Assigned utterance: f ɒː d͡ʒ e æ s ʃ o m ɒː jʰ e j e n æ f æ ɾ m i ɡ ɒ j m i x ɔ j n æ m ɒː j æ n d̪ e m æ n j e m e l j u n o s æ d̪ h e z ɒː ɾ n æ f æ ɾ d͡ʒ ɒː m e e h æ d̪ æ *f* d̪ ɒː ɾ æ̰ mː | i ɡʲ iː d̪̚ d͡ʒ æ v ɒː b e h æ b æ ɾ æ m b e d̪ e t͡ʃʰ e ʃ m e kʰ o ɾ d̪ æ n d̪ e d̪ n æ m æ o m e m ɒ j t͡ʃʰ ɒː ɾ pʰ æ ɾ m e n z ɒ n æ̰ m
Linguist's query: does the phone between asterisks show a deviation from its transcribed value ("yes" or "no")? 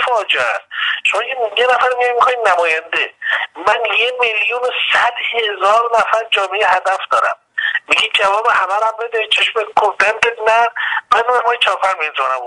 no